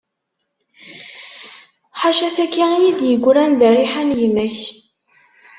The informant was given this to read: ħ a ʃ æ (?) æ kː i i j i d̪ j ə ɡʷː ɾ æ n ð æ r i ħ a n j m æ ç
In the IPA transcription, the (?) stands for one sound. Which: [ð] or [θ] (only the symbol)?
θ